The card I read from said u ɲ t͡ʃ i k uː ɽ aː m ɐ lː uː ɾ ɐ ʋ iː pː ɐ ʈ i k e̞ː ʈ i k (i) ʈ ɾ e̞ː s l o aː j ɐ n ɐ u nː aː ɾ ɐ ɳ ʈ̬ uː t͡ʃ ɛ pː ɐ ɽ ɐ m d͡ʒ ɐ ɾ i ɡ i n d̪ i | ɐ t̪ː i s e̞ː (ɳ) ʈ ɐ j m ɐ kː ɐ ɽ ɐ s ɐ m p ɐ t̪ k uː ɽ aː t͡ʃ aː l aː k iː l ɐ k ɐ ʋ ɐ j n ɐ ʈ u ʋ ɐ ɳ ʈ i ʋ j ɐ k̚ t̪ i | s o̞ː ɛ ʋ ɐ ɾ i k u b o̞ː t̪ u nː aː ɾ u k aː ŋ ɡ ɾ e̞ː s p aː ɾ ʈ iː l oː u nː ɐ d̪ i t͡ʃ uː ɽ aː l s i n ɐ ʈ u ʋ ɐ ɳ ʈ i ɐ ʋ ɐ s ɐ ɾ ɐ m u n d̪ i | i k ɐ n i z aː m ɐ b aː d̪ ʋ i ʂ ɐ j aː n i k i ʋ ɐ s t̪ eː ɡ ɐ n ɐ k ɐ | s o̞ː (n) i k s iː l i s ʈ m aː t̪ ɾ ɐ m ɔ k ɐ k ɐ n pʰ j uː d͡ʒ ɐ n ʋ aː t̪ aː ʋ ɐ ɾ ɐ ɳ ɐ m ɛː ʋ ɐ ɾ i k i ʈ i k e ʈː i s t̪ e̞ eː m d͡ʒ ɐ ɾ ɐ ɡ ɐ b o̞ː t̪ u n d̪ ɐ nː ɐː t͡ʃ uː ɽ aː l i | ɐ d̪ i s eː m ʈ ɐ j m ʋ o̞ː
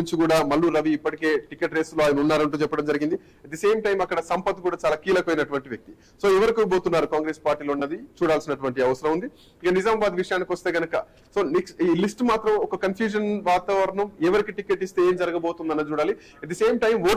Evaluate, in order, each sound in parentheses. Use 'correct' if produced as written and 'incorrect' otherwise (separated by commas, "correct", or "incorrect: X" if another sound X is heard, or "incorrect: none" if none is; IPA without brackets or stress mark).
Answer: incorrect: e, incorrect: m, correct